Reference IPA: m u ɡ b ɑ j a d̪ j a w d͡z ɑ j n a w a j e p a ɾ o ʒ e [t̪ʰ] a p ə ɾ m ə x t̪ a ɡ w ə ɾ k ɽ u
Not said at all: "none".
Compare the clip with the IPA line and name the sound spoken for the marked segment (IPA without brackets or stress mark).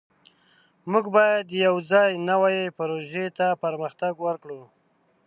t̪